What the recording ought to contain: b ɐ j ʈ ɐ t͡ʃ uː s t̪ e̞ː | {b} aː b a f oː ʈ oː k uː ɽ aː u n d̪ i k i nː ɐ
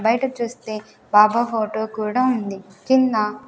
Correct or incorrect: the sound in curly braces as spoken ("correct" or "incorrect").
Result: correct